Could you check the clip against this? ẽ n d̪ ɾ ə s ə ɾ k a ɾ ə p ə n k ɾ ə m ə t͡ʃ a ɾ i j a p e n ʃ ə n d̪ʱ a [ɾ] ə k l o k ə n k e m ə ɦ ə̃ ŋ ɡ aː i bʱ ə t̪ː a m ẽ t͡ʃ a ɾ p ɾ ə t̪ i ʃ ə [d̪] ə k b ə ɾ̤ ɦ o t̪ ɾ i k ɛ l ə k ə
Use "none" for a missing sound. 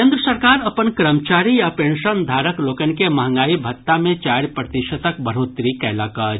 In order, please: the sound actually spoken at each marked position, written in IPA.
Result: ɾ, t̪

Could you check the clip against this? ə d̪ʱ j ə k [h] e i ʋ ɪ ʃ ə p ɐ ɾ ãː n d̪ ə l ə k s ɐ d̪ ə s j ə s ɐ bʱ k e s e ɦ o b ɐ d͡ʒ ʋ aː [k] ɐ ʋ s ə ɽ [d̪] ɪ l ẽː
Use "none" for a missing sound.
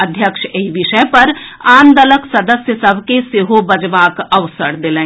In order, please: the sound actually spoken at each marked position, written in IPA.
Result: ʃ, k, d̪

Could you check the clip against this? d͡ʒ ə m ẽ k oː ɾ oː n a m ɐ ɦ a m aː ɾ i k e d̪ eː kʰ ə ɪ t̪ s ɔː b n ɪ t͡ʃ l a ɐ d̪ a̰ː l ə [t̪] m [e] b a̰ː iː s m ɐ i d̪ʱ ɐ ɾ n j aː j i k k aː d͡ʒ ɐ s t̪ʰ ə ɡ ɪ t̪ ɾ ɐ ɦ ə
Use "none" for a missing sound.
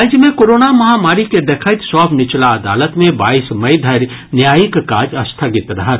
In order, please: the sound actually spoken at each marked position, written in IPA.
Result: t̪, ẽ

